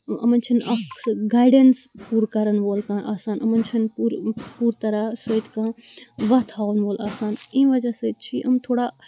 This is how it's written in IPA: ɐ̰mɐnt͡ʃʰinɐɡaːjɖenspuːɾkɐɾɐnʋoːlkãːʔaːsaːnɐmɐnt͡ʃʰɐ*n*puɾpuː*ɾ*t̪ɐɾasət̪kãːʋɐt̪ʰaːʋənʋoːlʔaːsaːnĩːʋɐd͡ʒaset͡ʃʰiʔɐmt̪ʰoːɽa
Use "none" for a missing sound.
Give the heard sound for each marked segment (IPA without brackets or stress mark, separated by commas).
n, ɾ